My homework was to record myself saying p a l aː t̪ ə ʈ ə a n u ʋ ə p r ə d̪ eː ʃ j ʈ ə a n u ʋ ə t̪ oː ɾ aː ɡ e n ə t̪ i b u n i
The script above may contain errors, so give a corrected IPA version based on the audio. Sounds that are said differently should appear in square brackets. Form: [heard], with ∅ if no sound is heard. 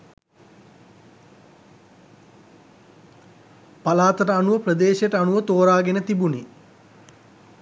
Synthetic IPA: p a l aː t̪ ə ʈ ə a n u ʋ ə p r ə d̪ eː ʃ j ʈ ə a n u ʋ ə t̪ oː ɾ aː ɡ e n ə t̪ i b u n i